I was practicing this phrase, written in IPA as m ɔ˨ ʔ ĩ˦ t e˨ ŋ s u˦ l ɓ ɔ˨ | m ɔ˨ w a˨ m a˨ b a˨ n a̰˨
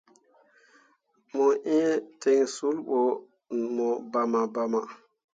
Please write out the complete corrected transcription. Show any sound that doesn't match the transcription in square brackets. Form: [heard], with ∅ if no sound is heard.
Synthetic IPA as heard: m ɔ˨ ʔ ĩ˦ t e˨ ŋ s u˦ l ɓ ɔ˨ | m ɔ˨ [b] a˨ m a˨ b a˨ [m] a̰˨